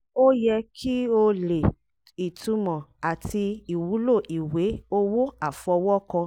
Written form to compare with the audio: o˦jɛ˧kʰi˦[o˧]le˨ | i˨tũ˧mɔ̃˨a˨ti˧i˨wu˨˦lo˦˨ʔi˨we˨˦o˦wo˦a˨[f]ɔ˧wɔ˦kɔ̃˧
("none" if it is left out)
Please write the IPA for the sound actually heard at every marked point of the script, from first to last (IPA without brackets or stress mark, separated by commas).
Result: o˧, f